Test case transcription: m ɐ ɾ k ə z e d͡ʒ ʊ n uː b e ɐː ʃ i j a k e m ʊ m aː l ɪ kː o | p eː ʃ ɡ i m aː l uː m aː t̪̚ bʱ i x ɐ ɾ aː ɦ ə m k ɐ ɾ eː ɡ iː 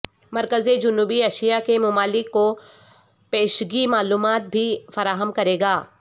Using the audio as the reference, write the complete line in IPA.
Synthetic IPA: m ɐ ɾ k ə z e d͡ʒ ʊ n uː b i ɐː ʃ i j a k e m ʊ m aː l ɪ kː o | p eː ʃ ɡ i m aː l uː m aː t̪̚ bʱ i f ɐ ɾ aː ɦ ə m k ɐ ɾ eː ɡ aː